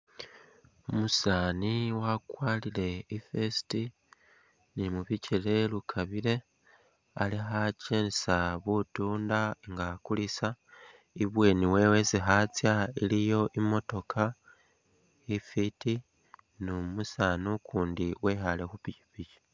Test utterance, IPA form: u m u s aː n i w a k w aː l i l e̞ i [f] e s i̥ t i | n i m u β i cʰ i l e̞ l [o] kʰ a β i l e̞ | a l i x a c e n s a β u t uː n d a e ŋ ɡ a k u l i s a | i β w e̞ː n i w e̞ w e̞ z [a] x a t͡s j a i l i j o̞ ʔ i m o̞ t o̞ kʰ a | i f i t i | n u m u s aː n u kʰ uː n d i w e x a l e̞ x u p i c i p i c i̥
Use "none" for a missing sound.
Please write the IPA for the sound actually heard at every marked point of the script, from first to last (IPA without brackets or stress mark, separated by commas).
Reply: f, u, i